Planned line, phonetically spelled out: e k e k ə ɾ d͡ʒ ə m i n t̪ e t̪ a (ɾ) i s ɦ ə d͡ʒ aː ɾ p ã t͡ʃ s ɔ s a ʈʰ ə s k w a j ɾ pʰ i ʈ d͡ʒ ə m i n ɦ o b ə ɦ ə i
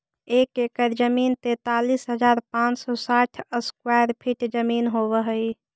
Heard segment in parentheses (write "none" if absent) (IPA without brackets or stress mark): l